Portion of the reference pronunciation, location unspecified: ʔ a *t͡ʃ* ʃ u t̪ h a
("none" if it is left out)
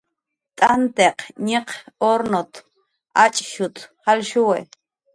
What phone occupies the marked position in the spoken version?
t͡ʃʼ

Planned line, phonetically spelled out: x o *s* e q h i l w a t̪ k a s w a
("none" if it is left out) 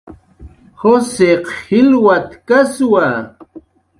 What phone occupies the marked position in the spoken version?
s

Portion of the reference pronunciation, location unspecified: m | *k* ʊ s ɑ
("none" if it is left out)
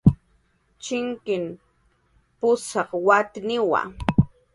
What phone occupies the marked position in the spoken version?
p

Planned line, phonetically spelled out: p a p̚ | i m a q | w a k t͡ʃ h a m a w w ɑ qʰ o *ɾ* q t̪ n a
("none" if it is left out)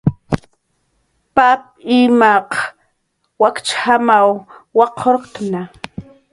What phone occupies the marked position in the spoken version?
ɾ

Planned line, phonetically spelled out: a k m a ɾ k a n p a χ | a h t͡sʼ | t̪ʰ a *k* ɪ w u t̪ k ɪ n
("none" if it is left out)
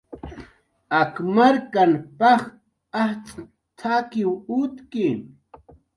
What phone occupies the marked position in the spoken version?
k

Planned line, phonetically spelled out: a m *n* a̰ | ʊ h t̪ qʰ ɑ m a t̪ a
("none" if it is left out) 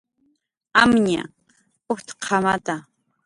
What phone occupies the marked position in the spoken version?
ɲ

